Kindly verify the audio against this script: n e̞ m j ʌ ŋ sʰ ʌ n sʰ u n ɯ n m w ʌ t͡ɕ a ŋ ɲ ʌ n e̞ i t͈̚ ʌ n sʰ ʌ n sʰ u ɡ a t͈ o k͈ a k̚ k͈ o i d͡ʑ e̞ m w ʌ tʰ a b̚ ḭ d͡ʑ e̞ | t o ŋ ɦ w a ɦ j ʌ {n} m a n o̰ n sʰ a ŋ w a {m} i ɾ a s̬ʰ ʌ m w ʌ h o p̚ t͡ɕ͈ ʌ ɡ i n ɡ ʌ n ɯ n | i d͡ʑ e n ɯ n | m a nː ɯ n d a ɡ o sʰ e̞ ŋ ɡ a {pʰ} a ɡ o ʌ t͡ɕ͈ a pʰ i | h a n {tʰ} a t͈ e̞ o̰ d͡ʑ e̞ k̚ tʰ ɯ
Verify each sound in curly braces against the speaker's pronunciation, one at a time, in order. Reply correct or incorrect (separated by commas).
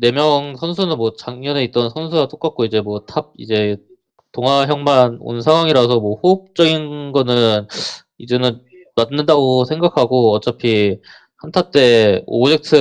incorrect, incorrect, incorrect, correct